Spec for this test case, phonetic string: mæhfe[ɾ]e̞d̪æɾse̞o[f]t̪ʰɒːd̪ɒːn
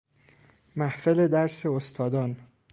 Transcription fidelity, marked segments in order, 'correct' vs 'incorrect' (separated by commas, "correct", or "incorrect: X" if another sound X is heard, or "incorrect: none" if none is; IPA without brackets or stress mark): incorrect: l, incorrect: s